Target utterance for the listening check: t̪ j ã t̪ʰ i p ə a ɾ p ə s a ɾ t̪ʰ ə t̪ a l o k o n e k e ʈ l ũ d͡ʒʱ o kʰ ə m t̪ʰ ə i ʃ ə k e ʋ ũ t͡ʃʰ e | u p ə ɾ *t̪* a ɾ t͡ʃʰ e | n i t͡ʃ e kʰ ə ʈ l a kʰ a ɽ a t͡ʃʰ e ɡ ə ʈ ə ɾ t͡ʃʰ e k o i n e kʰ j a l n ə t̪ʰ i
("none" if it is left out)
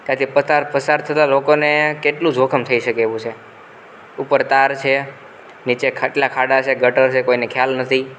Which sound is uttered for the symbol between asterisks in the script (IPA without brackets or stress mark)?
t̪